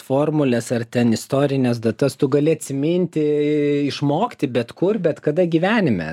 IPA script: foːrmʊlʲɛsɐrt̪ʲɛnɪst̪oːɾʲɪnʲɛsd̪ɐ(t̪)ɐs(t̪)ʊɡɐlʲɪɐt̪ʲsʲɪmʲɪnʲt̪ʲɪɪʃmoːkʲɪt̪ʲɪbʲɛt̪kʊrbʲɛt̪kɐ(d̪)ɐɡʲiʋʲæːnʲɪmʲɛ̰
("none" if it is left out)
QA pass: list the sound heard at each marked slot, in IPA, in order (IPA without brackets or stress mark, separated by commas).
t̪, t̪, d̪